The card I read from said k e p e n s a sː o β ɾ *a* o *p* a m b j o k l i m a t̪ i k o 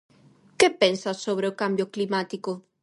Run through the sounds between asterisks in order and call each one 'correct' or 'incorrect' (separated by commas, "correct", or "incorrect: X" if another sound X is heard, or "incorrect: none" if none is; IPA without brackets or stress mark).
incorrect: e, incorrect: k